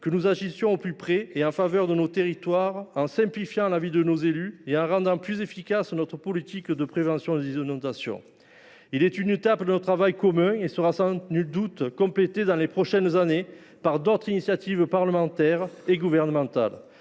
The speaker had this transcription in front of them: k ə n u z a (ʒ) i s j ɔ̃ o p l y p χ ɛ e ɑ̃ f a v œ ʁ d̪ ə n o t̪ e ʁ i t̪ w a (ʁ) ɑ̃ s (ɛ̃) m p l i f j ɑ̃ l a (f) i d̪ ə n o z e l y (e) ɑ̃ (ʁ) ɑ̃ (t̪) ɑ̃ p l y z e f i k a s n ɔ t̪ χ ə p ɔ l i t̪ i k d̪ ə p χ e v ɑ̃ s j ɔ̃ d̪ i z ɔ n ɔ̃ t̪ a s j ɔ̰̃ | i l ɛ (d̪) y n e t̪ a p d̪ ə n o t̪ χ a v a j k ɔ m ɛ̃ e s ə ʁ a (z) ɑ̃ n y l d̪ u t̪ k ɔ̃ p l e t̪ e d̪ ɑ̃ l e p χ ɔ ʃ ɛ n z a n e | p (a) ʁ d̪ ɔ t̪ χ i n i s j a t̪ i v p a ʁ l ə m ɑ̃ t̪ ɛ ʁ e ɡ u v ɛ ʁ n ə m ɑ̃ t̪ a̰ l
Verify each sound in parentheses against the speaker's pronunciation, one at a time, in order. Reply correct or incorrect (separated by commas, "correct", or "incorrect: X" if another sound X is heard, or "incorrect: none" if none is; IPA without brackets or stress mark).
correct, correct, correct, incorrect: v, correct, correct, incorrect: d̪, incorrect: t̪, incorrect: s, correct